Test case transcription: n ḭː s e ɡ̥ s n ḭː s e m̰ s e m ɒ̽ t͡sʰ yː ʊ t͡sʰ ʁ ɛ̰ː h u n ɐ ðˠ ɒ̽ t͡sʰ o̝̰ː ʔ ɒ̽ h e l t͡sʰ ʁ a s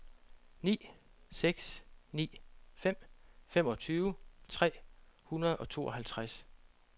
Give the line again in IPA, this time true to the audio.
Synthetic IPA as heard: n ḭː s e ɡ̥ s n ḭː f e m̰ f e m ɒ̽ t͡sʰ yː ʊ t͡sʰ ʁ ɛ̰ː h u n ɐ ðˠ ɒ̽ t͡sʰ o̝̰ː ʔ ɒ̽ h æ l t͡sʰ ʁ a s